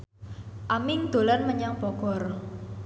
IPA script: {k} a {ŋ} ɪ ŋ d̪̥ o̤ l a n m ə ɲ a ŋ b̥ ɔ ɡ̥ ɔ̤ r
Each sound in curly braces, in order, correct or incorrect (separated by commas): incorrect, incorrect